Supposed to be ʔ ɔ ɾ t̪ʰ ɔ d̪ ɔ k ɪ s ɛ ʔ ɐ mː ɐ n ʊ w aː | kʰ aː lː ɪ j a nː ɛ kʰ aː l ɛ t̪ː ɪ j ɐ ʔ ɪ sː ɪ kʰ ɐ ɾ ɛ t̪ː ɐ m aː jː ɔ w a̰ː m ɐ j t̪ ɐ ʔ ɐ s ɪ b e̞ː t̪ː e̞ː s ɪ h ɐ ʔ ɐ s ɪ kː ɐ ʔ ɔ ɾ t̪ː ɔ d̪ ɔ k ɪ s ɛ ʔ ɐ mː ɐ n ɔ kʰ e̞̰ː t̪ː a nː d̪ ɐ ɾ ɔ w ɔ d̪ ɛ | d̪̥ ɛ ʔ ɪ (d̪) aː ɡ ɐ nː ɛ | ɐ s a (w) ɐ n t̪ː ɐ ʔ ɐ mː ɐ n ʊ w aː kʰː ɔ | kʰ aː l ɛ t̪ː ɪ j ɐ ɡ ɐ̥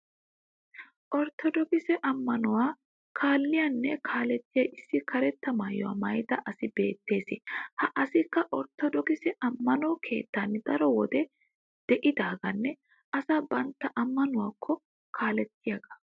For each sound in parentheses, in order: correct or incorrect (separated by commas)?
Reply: correct, incorrect